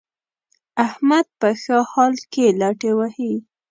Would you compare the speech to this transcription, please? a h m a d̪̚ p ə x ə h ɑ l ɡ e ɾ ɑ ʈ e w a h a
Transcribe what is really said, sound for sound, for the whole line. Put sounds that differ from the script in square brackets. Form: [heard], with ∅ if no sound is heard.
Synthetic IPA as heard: a h m a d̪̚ p ə x ə h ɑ l [k] e [l] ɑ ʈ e w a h [i]